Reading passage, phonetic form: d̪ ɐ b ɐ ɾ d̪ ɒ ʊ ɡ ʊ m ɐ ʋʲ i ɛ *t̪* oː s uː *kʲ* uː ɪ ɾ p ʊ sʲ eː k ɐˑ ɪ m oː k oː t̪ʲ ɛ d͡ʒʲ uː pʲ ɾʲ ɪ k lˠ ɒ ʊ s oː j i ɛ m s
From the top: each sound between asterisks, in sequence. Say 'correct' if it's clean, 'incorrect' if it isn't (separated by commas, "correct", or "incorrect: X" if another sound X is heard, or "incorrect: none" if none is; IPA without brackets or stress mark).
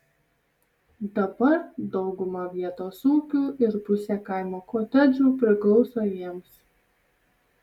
correct, correct